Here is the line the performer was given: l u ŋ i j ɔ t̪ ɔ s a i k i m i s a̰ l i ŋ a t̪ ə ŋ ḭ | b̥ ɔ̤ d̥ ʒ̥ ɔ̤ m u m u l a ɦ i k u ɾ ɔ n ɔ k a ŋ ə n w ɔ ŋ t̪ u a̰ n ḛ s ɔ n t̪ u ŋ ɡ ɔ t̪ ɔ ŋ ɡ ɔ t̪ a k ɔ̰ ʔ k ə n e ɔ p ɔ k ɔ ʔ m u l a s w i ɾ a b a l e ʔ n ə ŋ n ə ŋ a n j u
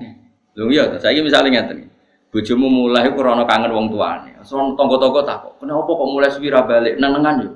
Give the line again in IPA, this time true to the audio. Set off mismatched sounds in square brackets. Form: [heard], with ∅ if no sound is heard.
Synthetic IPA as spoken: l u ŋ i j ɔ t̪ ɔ s a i k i m i s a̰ l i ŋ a t̪ ə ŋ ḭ | b̥ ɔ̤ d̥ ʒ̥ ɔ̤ m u m u l a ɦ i k u ɾ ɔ n ɔ k a ŋ ə n w ɔ ŋ t̪ u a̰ n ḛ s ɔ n t̪ [ɔ] ŋ ɡ ɔ t̪ ɔ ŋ ɡ ɔ t̪ a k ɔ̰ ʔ k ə n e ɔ p ɔ k ɔ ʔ m u l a s w i ɾ a b a l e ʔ n ə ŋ n ə ŋ a n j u